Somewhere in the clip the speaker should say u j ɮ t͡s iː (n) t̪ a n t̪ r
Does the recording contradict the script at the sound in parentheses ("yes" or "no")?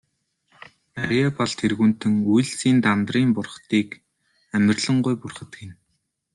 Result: no